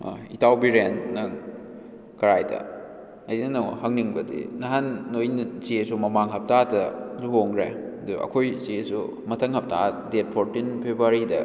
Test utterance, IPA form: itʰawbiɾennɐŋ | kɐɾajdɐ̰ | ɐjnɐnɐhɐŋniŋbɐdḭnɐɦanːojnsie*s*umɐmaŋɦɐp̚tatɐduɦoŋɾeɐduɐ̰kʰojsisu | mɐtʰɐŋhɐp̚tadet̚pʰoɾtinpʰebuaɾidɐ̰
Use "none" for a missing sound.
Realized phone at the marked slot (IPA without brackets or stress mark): s